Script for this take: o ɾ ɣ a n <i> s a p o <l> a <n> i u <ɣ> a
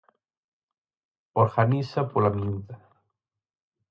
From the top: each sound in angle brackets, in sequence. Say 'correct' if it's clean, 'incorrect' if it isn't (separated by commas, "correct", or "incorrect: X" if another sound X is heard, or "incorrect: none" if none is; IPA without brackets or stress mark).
correct, correct, incorrect: m, incorrect: ð